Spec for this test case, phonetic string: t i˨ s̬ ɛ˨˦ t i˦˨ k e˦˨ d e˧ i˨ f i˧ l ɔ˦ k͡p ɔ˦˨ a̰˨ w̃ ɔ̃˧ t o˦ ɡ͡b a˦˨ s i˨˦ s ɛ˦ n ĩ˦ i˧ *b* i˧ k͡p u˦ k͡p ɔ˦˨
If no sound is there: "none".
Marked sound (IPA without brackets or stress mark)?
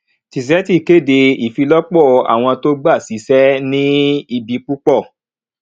b